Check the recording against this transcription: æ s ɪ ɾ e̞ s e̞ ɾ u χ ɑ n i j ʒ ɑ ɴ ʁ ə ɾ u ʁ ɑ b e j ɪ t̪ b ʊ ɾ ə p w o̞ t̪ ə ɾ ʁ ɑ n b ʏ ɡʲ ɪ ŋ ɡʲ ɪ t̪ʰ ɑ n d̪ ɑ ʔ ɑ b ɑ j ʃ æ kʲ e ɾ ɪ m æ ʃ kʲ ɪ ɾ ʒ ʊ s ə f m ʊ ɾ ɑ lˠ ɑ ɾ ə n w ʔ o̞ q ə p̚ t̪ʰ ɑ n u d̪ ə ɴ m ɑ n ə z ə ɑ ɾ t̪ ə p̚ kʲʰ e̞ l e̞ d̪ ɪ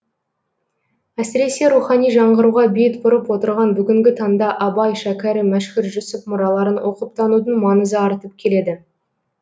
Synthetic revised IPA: æ s ɪ ɾ e̞ s e̞ ɾ u χ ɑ n i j ʒ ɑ ɴ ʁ ə ɾ u ʁ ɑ b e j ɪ t̪ b ʊ ɾ ə p w o̞ t̪ ə ɾ ʁ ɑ n b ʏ ɡʲ ɪ ŋ ɡʲ ɪ t̪ʰ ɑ n d̪ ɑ ʔ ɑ b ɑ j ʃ æ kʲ æ ɾ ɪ m æ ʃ kʲ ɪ ɾ ʒ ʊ s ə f m ʊ ɾ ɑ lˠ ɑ ɾ ə n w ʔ o̞ q ə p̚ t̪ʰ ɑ n u d̪ ə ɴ m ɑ n ə z ə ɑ ɾ t̪ ə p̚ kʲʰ e̞ l e̞ d̪ ɪ